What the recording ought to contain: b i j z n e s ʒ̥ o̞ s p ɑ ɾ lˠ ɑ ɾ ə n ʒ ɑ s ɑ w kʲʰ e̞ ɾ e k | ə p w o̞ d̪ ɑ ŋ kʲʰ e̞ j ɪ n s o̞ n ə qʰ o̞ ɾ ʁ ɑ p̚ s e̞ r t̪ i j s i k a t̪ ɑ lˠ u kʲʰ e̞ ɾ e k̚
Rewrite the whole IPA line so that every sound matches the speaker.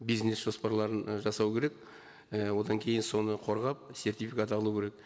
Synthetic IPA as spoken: b i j z n e s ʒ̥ o̞ s p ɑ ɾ lˠ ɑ ɾ ə n ʒ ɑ s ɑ w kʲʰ e̞ ɾ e k | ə w o̞ d̪ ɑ ŋ kʲʰ e̞ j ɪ n s o̞ n ə qʰ o̞ ɾ ʁ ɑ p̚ s e̞ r t̪ i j f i k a t̪ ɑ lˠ u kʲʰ e̞ ɾ e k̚